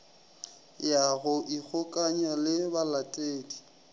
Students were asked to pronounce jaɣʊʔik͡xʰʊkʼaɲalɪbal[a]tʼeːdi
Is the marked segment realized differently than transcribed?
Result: no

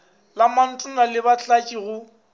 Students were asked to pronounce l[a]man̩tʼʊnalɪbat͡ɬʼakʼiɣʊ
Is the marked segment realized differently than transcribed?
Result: no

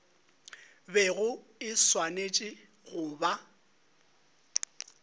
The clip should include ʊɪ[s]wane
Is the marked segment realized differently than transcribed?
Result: no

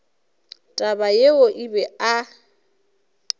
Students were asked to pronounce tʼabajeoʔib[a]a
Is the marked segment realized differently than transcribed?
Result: yes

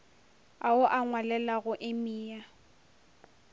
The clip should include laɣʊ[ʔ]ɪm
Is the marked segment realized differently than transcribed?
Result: no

